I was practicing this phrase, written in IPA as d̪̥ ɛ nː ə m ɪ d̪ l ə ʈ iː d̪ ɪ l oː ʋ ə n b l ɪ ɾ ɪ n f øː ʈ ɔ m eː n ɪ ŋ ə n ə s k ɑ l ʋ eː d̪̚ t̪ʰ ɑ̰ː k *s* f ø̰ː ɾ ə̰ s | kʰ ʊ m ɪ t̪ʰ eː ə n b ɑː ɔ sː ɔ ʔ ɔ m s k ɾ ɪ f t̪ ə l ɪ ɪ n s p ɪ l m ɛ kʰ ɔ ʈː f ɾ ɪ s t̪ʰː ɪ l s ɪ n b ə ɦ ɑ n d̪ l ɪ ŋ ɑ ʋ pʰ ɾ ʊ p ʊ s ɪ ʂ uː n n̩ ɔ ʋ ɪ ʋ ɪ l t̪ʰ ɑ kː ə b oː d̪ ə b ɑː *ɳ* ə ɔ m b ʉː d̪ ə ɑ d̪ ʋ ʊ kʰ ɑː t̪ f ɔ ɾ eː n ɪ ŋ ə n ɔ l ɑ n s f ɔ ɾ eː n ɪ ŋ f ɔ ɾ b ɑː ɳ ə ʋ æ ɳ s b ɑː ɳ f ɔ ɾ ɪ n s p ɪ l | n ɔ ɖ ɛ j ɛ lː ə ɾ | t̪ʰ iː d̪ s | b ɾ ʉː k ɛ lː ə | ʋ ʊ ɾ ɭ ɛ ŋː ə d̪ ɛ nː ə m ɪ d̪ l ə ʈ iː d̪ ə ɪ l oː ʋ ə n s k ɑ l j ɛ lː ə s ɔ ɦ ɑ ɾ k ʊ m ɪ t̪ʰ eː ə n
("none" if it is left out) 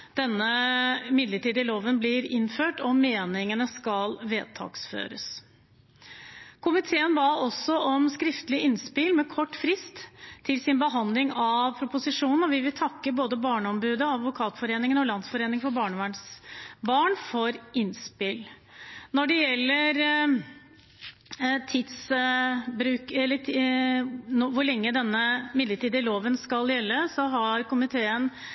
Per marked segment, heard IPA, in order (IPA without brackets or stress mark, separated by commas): s, ɳ